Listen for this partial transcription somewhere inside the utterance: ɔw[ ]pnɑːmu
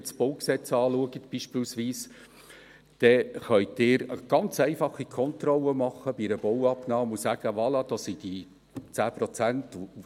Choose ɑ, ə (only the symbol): ɑ